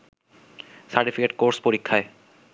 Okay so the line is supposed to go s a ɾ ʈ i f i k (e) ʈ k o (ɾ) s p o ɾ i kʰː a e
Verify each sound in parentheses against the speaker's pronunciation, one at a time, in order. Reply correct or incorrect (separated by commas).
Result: correct, correct